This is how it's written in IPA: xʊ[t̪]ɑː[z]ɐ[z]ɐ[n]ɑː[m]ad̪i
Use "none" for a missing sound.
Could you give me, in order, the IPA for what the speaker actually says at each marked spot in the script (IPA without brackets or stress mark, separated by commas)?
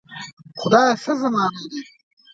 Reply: d̪, s, z, m, n